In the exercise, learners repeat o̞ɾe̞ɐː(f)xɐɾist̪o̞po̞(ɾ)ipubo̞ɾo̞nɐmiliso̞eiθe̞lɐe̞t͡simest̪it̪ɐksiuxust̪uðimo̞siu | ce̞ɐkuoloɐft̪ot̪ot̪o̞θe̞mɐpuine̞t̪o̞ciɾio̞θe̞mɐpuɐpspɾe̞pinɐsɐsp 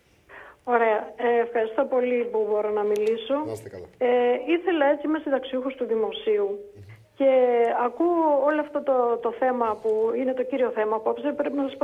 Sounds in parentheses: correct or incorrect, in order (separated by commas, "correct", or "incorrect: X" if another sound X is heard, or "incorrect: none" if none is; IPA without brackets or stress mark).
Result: correct, incorrect: l